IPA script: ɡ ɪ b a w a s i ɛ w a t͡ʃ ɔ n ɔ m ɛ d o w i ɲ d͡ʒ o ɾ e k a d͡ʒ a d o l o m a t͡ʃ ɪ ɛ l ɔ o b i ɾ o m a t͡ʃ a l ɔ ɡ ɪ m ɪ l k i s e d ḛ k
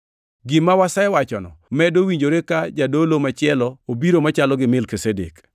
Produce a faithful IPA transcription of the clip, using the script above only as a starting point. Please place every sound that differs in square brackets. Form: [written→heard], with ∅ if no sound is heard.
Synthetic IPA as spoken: ɡ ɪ [b→m] a w a s [i→a] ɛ w a t͡ʃ ɔ n ɔ m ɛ d o w i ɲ d͡ʒ o ɾ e k a d͡ʒ a d o l o m a t͡ʃ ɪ ɛ l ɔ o b i ɾ o m a t͡ʃ a l ɔ ɡ ɪ m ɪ l k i s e d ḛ k